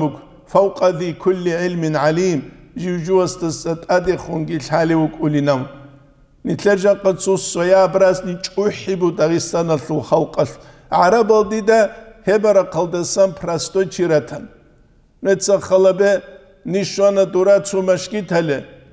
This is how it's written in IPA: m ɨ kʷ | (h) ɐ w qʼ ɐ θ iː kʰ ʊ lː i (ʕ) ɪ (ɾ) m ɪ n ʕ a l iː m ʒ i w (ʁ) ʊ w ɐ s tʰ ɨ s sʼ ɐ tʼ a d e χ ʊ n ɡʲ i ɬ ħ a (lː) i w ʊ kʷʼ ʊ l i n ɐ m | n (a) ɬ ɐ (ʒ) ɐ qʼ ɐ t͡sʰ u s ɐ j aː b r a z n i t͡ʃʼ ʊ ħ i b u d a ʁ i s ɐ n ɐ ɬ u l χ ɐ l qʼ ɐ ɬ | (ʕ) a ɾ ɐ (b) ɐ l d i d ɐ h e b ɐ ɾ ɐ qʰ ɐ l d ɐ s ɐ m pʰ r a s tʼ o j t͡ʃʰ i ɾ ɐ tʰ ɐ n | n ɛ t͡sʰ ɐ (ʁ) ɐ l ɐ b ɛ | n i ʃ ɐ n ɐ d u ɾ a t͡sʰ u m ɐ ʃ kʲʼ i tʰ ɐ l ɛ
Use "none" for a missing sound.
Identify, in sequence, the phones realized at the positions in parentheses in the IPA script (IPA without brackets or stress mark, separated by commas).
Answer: f, ʕ, l, ʒ, l, i, ʒ, ʕ, b, χ